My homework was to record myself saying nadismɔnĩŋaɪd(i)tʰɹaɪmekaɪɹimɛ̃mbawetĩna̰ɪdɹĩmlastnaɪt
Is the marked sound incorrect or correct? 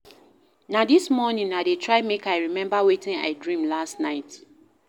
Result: incorrect: e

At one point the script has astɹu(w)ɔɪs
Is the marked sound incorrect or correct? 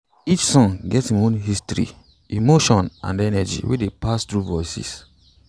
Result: incorrect: v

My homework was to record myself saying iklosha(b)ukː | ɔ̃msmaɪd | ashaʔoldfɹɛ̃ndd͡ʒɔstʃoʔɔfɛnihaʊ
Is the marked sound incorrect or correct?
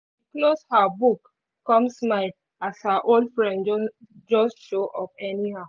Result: correct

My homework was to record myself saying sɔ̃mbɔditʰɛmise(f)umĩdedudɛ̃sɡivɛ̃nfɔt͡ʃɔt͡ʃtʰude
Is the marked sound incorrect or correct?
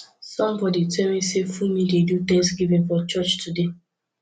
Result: correct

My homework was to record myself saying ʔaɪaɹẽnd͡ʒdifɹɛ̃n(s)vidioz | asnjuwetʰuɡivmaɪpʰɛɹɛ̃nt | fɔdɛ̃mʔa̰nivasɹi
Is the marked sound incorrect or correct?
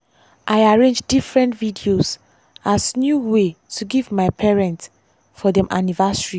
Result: incorrect: t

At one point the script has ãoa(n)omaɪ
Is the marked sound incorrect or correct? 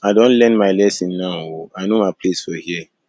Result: correct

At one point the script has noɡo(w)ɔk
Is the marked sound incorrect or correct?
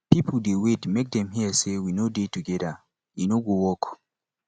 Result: correct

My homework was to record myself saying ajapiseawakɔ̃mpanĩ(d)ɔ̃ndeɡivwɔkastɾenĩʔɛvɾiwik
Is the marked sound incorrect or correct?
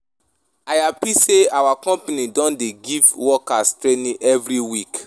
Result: correct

